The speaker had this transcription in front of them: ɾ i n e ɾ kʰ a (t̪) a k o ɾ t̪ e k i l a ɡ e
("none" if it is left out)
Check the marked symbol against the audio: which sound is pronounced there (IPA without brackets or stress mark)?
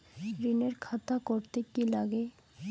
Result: t̪